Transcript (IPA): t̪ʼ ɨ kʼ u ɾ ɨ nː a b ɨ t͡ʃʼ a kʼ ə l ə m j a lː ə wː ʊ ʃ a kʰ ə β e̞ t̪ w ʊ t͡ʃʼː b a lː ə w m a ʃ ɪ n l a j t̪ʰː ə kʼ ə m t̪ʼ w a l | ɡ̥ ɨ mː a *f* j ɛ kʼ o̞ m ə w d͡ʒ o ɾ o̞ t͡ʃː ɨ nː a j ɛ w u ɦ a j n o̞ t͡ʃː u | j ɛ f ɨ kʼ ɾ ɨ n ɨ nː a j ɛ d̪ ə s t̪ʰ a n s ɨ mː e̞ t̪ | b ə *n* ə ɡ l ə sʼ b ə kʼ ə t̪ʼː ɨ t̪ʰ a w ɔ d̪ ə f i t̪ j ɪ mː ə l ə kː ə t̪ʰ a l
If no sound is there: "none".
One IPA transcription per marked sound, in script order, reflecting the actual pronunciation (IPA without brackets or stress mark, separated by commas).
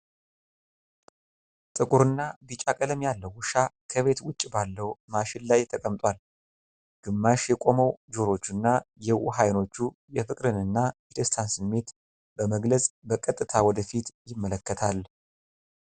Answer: ʃ, m